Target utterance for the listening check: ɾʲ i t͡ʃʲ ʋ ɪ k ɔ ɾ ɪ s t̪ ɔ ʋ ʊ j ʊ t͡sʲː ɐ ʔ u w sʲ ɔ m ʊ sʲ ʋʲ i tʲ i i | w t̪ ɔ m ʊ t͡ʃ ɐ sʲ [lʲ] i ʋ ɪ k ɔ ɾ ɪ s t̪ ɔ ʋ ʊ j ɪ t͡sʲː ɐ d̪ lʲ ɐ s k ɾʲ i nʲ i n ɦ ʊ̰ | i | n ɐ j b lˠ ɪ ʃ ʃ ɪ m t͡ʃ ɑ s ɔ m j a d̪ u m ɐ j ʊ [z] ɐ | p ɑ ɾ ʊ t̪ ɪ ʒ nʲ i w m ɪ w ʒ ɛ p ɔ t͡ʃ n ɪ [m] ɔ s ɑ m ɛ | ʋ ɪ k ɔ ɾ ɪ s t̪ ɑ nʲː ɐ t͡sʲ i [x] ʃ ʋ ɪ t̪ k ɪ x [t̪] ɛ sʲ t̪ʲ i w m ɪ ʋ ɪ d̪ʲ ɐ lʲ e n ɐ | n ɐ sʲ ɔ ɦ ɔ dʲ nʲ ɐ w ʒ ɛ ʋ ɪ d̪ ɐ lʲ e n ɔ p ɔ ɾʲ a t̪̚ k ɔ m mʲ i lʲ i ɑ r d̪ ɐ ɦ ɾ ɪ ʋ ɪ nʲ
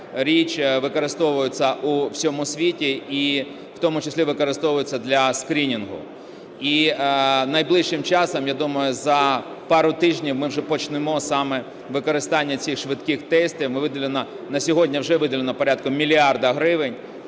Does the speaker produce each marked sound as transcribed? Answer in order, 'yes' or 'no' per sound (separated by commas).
yes, yes, yes, yes, yes